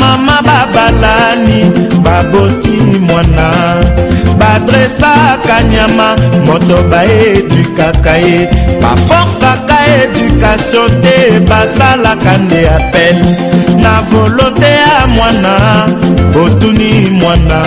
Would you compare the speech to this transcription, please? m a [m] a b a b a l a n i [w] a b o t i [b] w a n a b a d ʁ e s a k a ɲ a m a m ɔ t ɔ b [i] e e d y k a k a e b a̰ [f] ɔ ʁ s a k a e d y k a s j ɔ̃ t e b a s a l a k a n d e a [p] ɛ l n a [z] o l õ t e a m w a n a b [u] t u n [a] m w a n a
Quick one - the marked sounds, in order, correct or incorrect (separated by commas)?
correct, incorrect, incorrect, incorrect, correct, correct, incorrect, incorrect, incorrect